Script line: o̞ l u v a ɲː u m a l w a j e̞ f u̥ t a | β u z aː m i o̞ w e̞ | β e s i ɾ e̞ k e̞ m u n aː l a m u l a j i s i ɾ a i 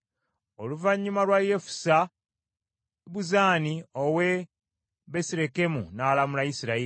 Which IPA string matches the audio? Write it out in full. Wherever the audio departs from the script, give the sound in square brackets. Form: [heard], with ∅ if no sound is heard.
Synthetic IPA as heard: o̞ l u v a ɲː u m a l w a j e̞ f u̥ [s] a | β u z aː [n] i o̞ w e̞ | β e s i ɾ e̞ k e̞ m u n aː l a m u l a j i s i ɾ a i